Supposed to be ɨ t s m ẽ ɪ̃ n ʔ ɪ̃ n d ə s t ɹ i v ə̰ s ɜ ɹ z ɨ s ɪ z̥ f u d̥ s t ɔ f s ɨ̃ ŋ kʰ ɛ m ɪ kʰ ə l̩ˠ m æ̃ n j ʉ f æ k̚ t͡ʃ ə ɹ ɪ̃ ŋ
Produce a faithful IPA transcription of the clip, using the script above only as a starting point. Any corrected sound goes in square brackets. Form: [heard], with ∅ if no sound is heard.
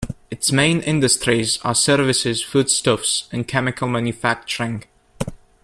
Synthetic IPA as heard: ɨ t s m ẽ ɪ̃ n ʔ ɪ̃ n d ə s t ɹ i [z] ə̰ s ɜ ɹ [v] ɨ s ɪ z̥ f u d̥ s t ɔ f s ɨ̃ [n] kʰ ɛ m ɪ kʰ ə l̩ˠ m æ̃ n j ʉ f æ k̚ t͡ʃ ə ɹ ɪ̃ ŋ